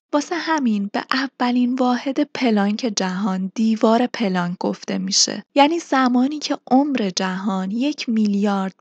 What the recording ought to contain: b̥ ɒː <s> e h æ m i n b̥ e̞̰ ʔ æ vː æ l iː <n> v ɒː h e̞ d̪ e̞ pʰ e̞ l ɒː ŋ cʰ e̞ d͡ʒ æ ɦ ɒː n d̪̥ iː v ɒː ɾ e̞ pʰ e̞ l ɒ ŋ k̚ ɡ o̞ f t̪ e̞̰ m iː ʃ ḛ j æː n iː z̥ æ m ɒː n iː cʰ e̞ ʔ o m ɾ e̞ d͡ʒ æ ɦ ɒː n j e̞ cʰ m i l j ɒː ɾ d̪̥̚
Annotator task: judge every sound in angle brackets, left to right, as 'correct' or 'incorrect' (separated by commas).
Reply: correct, correct